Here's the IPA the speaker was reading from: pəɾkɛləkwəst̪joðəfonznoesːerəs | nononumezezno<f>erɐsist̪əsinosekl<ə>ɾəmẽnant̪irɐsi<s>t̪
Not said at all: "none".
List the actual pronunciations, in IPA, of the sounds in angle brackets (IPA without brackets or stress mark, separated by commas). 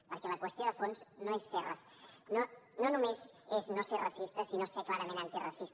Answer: s, a, s